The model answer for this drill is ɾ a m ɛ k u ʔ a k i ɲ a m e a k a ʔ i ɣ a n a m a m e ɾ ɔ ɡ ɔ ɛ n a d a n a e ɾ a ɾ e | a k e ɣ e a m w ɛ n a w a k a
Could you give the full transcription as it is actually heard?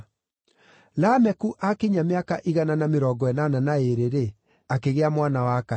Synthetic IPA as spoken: l a m ɛ k u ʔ a k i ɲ a m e a k a ʔ i ɣ a n a n a m e ɾ ɔ ɡ ɔ ɛ n a n a n a e ɾ e ɾ e | a k e ɣ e a m w a n a w a k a